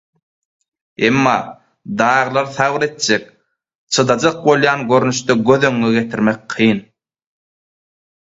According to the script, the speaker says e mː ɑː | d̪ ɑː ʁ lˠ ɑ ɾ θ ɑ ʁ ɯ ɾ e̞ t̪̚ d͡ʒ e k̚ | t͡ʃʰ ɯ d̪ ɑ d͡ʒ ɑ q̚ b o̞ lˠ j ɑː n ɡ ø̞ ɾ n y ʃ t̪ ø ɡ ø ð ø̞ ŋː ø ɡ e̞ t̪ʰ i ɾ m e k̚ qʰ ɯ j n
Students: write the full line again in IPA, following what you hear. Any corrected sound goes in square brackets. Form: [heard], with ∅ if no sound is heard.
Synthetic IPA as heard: e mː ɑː | d̪ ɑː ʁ lˠ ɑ ɾ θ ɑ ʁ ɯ ɾ e̞ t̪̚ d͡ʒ e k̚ | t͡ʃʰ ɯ d̪ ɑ d͡ʒ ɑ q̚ b o̞ lˠ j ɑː n ɡ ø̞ ɾ n y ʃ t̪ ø ɡ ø ð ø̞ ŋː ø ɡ e̞ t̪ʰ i ɾ m e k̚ qʰ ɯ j n